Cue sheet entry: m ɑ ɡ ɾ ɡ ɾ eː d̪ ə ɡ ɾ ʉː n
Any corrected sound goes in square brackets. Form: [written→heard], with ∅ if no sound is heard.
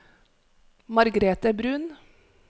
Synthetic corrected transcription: m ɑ [ɡ→∅] ɾ ɡ ɾ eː [d̪→t̪] ə [ɡ→b] ɾ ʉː n